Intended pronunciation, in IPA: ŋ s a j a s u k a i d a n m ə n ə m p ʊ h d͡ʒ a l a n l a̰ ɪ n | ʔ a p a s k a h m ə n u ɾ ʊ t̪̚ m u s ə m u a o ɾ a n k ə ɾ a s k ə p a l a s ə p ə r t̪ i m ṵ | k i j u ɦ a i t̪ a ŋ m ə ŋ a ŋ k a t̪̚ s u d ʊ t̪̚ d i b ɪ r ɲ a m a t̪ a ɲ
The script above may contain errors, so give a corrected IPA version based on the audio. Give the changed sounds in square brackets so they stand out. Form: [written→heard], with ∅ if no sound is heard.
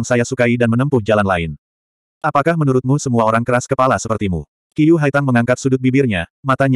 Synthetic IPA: ŋ s a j a s u k a i d a n m ə n ə m p ʊ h d͡ʒ a l a n l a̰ ɪ n | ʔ a p a [s→∅] k a h m ə n u ɾ ʊ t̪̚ m u s ə m u a o ɾ a [n→ŋ] k ə ɾ a s k ə p a l a s ə p ə r t̪ i m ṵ | k i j u ɦ a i t̪ a ŋ m ə ŋ a ŋ k a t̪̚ s u d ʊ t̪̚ [d→b] i b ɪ r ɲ a m a t̪ a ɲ